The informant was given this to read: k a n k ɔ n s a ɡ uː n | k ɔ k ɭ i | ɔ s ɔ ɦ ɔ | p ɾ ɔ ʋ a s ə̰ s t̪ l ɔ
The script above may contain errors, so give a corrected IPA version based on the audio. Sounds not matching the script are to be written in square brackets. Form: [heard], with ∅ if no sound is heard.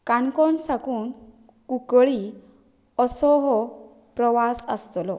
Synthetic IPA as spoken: k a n k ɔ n s a [k] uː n | k [u] k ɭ i | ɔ s ɔ ɦ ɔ | p ɾ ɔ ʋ a s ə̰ s t̪ l ɔ